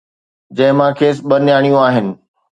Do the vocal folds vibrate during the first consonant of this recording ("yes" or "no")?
yes